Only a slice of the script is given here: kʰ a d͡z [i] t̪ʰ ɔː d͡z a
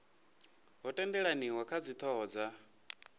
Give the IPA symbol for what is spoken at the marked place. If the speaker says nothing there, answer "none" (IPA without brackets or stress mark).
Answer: i